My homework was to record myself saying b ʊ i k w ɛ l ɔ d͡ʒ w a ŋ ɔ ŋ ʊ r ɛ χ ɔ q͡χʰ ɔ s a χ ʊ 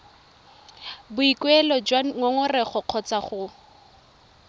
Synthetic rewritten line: b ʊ i k w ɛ l ɔ d͡ʒ w a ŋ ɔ ŋ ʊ r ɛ χ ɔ q͡χʰ ɔ t͡s a χ ʊ